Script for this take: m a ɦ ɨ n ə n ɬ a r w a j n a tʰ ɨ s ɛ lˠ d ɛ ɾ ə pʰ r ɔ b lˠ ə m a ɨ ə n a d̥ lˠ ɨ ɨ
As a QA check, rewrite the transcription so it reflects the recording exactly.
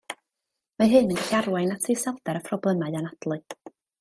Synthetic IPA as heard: m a ɦ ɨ n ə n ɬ a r w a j n a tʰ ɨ s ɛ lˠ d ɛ ɾ ə pʰ r ɔ b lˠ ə m a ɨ a n a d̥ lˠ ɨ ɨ